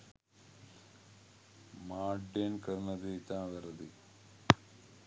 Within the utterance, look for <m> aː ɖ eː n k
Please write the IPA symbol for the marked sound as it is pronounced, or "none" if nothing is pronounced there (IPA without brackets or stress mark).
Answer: m